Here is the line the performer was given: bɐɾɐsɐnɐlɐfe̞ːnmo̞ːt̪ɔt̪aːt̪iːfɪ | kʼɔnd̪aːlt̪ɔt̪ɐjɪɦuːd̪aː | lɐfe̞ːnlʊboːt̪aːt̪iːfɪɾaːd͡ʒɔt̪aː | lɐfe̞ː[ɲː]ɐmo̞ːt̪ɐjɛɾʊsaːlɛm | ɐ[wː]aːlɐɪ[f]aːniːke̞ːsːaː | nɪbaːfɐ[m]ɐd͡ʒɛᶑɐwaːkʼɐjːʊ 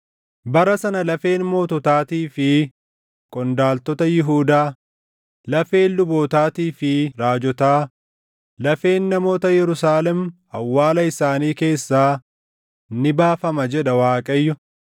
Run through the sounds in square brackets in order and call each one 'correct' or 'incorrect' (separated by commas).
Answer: incorrect, correct, incorrect, correct